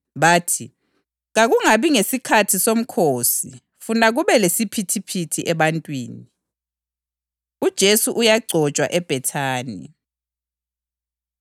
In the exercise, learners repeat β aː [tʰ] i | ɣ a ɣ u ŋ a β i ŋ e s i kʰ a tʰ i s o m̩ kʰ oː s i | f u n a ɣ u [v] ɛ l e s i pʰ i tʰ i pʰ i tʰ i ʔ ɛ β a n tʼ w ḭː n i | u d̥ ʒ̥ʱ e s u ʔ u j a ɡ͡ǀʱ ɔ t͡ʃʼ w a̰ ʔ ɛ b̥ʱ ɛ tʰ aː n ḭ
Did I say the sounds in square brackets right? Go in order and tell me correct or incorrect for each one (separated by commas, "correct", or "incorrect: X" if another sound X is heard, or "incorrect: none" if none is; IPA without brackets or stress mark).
correct, incorrect: β